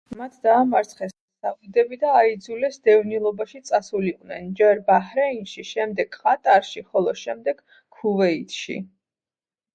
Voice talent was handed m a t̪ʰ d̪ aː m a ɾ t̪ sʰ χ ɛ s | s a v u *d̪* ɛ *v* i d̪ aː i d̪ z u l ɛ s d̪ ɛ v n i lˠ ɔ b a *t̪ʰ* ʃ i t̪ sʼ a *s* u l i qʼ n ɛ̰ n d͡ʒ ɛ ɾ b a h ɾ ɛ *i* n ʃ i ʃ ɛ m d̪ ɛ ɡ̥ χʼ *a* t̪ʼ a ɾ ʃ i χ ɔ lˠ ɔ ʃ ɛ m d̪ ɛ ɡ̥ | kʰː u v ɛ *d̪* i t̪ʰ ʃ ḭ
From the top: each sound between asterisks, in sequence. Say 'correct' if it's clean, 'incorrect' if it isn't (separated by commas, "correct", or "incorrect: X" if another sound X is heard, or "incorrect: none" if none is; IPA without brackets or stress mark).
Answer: correct, incorrect: b, incorrect: none, correct, correct, correct, incorrect: none